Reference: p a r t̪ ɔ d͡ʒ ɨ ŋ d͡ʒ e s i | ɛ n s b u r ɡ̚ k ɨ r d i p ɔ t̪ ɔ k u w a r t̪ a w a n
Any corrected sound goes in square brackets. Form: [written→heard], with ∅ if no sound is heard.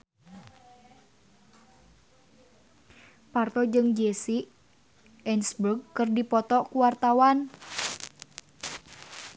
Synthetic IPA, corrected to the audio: p a r t̪ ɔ d͡ʒ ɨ ŋ d͡ʒ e s i | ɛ n s b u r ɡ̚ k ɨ r d i p ɔ t̪ ɔ k u w a r t̪ a w a n